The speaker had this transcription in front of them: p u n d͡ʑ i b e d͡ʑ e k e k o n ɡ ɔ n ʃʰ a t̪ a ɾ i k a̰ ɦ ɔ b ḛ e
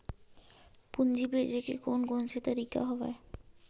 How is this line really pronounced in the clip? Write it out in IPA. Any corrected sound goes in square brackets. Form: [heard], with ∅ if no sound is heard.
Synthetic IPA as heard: p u n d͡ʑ i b e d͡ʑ e k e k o n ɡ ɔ n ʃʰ [e] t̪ a ɾ i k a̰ ɦ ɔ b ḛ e